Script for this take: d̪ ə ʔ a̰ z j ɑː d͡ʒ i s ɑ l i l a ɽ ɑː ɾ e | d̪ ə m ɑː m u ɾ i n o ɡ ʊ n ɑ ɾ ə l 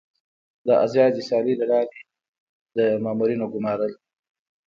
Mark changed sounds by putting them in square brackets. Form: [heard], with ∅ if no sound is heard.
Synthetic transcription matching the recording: d̪ ə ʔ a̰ z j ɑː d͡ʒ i s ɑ l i l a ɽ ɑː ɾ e | d̪ ə m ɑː m u ɾ i n o ɡ ʊ [m] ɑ ɾ ə l